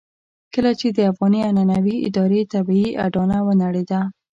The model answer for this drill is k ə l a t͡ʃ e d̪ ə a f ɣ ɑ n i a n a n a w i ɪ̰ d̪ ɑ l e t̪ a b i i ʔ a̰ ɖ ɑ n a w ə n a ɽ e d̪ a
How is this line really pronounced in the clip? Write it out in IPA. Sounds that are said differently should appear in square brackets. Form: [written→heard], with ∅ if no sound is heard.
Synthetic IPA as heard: k ə l a t͡ʃ e d̪ ə a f ɣ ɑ n i a n a n a w i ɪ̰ d̪ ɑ [l→ɾ] e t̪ a b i i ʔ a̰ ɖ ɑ n a w ə n a ɽ e d̪ a